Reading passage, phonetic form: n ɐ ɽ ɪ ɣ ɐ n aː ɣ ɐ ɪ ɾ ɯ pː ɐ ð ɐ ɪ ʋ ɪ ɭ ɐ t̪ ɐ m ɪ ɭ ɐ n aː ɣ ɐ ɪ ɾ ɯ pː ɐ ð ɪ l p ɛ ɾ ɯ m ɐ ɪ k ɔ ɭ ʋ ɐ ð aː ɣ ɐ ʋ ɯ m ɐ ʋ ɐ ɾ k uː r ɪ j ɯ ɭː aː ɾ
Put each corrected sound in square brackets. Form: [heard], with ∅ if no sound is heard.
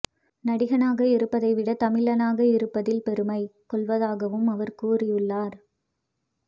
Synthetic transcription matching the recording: n ɐ ɽ ɪ ɣ ɐ n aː ɣ ɐ ɪ ɾ ɯ pː ɐ ð ɐ ɪ ʋ ɪ [ɽ] ɐ t̪ ɐ m ɪ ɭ ɐ n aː ɣ ɐ ɪ ɾ ɯ pː ɐ ð ɪ l p ɛ ɾ ɯ m ɐ ɪ k ɔ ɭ ʋ ɐ ð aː ɣ ɐ ʋ ɯ m ɐ ʋ ɐ ɾ k uː r ɪ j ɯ ɭː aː ɾ